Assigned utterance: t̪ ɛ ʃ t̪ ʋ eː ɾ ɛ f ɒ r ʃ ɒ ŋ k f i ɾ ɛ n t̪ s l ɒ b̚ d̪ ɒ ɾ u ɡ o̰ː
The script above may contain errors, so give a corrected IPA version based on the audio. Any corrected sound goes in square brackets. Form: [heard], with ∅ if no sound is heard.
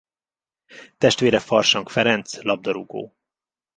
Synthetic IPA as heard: t̪ ɛ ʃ t̪ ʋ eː ɾ ɛ f ɒ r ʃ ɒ ŋ k f [ɛ] ɾ ɛ n t̪ s l ɒ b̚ d̪ ɒ ɾ u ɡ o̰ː